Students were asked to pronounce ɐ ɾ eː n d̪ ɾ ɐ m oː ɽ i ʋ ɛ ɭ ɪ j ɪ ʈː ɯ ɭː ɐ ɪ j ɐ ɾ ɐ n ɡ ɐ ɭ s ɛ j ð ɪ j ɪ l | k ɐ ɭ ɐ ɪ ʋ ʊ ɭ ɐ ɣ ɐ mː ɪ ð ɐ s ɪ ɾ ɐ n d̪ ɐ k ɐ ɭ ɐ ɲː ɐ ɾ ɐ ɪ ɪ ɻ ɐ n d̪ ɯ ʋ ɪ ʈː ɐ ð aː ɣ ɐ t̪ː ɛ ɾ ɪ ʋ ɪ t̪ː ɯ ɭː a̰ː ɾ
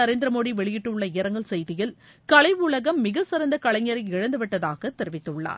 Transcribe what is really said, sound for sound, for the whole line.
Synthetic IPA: ɐ ɾ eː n d̪ ɾ ɐ m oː ɽ i ʋ ɛ ɭ ɪ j ɪ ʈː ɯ ɭː ɐ ɪ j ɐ ɾ ɐ ŋ ɡ ɐ ɭ s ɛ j ð ɪ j ɪ l | k ɐ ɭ ɐ ɪ ʋ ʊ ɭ ɐ ɣ ɐ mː ɪ ɣ ɐ s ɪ ɾ ɐ n d̪ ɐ k ɐ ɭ ɐ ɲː ɐ ɾ ɐ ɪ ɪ ɻ ɐ n d̪ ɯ ʋ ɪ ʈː ɐ ð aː ɣ ɐ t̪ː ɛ ɾ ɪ ʋ ɪ t̪ː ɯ ɭː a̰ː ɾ